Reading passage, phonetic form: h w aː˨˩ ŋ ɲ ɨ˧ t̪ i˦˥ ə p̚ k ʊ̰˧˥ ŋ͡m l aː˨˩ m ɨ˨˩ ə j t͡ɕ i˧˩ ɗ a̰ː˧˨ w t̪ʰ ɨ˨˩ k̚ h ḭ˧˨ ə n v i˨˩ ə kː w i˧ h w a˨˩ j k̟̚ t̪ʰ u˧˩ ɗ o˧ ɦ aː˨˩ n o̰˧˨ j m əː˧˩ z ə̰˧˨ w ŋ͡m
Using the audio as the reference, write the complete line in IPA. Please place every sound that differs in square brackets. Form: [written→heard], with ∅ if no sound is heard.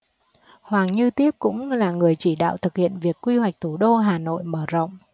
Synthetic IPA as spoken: h w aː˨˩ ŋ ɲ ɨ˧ t̪ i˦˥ ə p̚ k ʊ̰˧˥ ŋ͡m l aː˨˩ [m→ŋ] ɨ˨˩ ə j t͡ɕ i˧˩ ɗ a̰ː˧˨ w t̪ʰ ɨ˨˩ k̚ h ḭ˧˨ ə n v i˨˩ ə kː w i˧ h w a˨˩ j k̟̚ t̪ʰ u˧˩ ɗ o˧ ɦ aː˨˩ n o̰˧˨ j m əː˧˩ z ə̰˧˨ w ŋ͡m